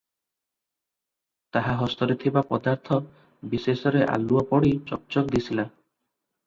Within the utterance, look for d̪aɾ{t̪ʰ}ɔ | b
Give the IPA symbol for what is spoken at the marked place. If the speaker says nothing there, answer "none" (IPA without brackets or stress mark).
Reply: t̪ʰ